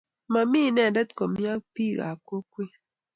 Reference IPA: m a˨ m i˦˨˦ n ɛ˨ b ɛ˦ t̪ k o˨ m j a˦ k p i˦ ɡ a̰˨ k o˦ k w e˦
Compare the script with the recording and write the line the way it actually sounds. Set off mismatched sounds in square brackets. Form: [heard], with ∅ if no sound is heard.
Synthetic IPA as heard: m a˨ m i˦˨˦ n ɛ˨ [d] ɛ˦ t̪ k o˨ m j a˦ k p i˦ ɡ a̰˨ k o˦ k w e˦